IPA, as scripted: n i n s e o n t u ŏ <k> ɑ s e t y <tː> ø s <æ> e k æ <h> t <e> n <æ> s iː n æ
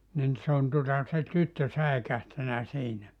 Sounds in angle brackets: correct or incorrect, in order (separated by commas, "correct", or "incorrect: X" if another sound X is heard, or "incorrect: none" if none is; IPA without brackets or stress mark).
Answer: incorrect: t, correct, correct, correct, incorrect: æ, correct